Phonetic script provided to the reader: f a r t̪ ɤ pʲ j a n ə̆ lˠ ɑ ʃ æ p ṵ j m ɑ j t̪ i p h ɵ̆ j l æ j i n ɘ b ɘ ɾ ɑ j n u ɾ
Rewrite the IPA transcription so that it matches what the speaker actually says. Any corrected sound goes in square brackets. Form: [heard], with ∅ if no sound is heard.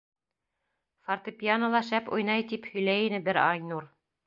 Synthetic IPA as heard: f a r t̪ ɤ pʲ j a n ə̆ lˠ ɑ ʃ æ p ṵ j [n] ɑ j t̪ i p h ɵ̆ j l æ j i n ɘ b ɘ ɾ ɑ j n u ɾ